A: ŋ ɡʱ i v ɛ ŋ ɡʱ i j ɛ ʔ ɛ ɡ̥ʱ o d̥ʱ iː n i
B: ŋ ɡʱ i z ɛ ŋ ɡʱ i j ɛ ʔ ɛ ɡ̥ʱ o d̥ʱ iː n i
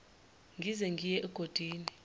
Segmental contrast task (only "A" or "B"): B